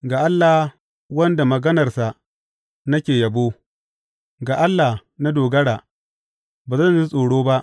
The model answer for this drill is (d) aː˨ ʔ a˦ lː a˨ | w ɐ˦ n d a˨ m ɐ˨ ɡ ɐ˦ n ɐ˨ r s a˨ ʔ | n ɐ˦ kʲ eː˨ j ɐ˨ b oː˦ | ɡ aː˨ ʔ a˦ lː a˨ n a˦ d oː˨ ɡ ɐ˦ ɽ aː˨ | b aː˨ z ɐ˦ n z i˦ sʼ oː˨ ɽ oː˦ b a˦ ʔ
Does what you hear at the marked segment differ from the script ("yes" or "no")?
yes